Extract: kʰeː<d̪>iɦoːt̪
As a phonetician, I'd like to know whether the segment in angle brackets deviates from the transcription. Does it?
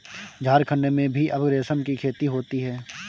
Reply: yes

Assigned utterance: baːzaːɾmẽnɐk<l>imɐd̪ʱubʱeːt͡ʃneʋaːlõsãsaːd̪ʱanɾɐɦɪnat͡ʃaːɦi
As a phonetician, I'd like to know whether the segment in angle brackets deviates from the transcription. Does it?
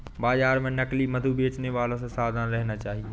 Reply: no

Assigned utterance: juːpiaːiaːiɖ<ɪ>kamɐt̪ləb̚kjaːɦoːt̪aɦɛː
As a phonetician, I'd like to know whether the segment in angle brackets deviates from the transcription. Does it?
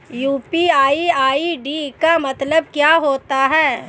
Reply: yes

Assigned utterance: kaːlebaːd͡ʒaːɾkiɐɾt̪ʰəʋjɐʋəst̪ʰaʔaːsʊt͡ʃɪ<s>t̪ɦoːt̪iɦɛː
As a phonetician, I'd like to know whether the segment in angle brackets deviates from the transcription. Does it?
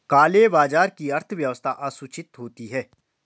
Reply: yes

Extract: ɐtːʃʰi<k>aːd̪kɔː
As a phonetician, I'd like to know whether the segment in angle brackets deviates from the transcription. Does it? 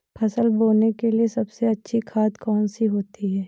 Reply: yes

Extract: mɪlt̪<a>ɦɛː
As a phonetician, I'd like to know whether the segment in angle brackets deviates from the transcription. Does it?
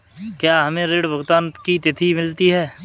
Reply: yes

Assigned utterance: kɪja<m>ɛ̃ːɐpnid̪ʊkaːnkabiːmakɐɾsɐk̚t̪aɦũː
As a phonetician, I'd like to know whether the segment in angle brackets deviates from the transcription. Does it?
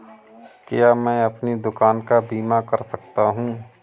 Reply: no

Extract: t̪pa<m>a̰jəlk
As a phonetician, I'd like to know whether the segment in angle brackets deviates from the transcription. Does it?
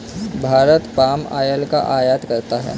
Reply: no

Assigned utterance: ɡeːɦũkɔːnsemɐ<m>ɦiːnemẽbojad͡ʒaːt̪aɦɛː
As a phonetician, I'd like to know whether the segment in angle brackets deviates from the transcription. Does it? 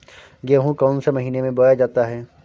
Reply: yes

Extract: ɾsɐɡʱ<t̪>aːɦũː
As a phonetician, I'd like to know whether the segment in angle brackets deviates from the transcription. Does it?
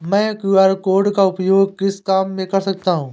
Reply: no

